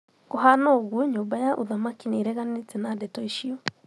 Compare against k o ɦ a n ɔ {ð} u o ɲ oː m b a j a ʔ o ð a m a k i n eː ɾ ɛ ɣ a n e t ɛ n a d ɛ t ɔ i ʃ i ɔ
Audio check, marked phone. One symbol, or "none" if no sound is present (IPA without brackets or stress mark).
ɣ